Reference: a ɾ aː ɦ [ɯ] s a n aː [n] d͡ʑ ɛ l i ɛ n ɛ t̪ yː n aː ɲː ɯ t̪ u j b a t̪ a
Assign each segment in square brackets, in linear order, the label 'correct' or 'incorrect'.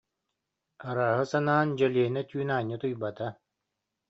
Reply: correct, correct

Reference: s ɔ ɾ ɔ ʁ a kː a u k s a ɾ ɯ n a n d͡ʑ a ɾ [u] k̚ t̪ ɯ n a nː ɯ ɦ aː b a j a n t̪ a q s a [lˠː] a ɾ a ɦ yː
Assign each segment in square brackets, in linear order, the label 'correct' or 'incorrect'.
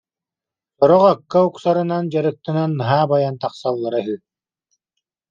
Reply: incorrect: ɯ, correct

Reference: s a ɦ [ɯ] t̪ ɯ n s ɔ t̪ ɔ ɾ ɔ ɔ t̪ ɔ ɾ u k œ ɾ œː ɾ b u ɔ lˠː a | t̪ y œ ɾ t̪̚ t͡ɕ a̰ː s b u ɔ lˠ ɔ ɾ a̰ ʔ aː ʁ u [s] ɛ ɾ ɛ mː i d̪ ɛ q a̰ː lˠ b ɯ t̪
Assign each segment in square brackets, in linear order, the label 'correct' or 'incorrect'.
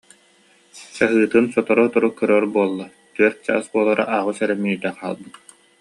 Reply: incorrect: ɯː, correct

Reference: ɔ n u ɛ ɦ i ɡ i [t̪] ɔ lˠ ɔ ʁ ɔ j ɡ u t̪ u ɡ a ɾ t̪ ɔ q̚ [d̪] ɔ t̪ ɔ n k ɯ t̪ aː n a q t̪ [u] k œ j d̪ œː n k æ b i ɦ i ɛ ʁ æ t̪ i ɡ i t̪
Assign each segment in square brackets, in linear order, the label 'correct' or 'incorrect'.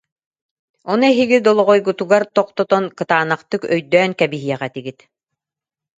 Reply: incorrect: d̪, incorrect: t̪, incorrect: ɯ

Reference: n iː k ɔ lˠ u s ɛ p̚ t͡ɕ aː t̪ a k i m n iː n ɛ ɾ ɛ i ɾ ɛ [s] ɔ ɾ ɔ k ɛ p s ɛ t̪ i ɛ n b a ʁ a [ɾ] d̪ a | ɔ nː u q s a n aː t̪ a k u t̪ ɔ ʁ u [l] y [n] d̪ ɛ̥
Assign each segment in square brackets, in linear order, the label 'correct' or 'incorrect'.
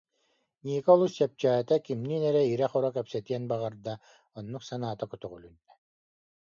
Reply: incorrect: χ, correct, correct, correct

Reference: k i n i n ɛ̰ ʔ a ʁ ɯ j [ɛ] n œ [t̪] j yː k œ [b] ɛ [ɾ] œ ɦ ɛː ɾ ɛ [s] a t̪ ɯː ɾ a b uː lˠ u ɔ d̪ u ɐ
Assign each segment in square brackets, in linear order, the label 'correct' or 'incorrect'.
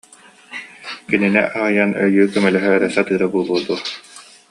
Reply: incorrect: a, incorrect: none, incorrect: m, incorrect: l, correct

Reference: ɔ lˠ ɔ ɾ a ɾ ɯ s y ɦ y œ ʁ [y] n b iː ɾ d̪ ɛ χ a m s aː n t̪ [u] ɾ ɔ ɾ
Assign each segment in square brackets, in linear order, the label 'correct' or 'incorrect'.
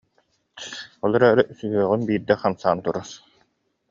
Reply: correct, correct

